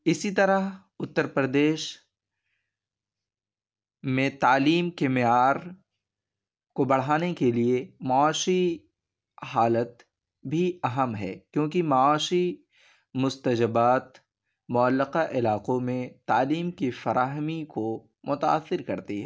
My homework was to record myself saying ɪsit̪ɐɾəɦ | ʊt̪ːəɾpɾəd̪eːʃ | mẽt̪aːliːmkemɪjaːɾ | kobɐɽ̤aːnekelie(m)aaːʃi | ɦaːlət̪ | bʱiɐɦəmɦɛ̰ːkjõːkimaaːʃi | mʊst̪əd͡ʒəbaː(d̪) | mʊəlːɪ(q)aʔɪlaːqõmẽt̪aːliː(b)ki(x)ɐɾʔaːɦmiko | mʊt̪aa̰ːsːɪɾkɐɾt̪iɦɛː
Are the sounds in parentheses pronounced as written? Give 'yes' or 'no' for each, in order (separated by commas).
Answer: yes, no, yes, no, no